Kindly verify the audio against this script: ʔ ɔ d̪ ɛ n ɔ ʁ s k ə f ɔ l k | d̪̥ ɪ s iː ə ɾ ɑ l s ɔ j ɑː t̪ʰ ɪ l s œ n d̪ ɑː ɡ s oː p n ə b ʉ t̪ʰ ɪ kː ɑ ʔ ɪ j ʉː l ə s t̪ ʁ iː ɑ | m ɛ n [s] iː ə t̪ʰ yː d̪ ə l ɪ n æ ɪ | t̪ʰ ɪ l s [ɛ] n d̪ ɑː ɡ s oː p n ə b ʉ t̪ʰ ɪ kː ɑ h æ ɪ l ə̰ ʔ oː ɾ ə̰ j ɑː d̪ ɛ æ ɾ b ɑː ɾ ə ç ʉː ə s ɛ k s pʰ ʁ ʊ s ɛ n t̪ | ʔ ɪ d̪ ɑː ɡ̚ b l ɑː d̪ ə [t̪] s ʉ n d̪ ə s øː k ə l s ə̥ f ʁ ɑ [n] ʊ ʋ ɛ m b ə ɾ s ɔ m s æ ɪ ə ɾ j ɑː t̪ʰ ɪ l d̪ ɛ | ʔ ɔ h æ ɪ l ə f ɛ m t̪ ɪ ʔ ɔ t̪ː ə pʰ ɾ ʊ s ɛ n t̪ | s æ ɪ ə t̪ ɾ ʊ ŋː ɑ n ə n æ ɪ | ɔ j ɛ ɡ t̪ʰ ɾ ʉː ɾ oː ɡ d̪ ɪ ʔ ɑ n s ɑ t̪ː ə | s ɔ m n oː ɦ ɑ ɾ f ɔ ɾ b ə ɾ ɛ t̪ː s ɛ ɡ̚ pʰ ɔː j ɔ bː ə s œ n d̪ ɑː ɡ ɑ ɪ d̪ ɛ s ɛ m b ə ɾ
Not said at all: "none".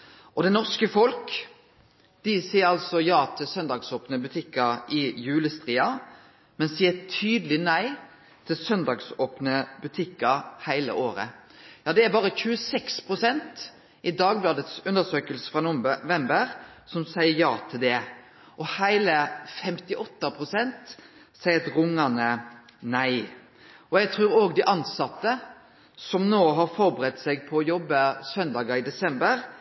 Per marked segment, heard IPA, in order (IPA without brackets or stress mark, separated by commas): s, œ, t̪, n